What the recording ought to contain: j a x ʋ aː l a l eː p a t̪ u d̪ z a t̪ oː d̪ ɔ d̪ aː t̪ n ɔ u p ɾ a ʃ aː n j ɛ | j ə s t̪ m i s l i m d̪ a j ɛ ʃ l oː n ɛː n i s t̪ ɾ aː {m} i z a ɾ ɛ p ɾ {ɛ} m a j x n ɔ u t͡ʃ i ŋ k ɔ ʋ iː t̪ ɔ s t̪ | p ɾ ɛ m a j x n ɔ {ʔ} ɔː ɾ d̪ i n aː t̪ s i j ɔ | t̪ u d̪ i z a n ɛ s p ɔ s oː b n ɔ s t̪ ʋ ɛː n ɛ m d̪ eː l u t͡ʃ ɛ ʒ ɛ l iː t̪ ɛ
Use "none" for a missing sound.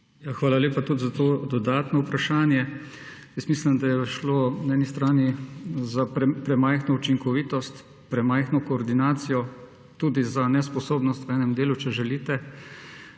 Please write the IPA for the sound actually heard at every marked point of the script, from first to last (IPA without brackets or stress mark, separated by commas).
n, ɛ, k